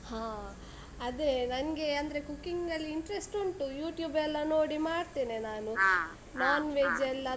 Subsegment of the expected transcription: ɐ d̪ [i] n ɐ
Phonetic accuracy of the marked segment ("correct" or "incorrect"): incorrect